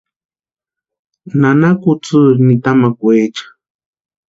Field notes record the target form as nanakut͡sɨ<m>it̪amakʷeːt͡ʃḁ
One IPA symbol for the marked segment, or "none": n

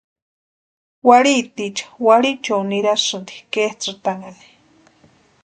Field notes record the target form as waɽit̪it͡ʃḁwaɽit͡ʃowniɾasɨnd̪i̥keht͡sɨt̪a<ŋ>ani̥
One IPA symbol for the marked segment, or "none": ŋ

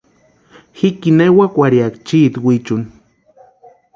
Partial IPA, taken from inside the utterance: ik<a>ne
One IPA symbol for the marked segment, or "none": i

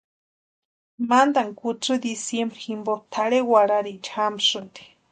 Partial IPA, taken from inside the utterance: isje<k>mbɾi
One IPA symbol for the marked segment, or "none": none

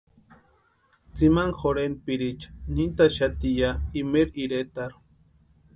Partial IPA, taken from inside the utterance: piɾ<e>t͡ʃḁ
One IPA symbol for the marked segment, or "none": i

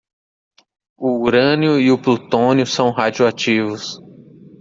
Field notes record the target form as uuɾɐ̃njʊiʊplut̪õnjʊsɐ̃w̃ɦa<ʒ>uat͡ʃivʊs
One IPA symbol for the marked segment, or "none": d͡ʒ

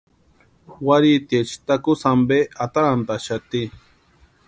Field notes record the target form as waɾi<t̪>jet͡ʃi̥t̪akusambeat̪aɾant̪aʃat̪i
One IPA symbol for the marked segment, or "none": t̪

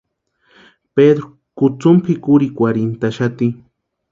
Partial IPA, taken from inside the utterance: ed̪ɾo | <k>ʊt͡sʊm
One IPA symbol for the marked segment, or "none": k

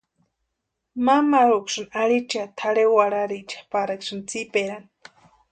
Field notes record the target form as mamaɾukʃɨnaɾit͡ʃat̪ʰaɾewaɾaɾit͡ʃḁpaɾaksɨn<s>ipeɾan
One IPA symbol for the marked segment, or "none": t͡s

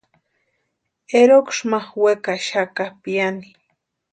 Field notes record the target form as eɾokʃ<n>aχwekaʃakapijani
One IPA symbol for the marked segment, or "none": m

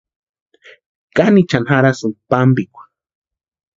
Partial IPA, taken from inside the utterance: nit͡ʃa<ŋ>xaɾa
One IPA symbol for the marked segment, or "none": n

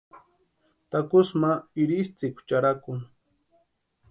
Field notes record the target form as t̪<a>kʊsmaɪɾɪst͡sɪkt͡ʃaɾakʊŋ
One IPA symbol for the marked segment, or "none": a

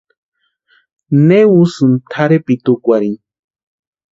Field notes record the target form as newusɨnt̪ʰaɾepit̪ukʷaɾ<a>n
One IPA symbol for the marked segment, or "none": i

